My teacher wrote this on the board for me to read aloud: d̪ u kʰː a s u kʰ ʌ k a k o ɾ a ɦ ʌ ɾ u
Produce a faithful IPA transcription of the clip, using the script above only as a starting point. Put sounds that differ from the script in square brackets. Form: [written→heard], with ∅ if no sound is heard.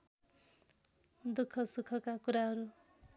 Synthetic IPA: d̪ u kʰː [a→ʌ] s u kʰ ʌ k a k [o→u] ɾ a ɦ ʌ ɾ u